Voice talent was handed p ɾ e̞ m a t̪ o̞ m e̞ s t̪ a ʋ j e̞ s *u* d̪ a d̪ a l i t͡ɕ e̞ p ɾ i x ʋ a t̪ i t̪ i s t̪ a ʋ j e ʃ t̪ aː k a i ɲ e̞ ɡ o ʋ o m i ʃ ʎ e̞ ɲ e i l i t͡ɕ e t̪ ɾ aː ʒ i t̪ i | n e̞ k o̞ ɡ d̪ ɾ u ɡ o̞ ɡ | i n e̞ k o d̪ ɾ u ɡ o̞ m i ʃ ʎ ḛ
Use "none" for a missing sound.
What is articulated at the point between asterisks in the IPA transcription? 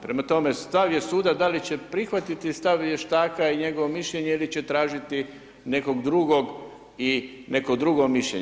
uː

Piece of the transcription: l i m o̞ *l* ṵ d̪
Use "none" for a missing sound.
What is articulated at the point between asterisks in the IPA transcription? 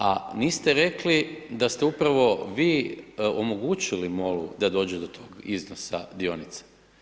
l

